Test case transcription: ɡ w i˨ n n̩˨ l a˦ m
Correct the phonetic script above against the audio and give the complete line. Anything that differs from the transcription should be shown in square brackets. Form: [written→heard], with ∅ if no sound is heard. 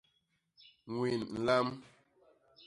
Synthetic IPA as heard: [ɡ→ŋ] w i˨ n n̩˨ l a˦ m